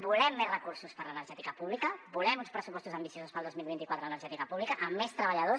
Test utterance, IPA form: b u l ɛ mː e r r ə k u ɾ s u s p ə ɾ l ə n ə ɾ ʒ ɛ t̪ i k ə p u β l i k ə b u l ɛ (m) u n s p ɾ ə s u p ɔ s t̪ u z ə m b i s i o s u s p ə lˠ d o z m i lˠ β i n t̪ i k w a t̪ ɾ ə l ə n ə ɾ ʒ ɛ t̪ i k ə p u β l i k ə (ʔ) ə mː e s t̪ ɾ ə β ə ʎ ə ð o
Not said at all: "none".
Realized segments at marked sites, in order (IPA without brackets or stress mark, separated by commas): m, ʔ